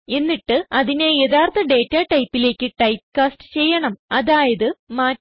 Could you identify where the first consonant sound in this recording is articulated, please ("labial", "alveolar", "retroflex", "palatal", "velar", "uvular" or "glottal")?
alveolar